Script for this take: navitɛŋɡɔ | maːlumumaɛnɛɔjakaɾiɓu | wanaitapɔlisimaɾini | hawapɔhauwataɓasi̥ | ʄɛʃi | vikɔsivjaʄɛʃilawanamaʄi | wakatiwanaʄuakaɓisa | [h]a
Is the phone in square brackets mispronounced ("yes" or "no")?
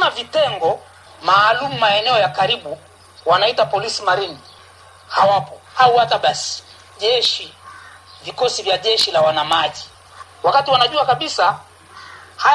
no